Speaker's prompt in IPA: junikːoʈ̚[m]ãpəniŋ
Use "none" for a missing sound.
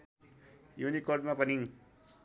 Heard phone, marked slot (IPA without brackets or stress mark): m